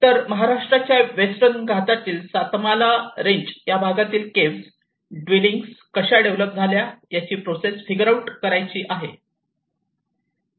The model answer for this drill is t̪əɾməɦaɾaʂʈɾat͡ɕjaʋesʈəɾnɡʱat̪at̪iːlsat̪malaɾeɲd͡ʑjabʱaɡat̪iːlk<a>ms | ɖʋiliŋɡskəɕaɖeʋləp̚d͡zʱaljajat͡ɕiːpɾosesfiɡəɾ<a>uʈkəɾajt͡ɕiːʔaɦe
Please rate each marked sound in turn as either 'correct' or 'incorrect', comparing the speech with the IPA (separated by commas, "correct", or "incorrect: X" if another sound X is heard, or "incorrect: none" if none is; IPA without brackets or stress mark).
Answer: incorrect: e, correct